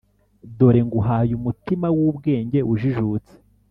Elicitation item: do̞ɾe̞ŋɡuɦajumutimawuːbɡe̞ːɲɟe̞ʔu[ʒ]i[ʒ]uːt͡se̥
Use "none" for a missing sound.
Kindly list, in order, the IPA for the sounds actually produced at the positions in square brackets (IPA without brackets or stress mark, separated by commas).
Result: ʒ, ʒ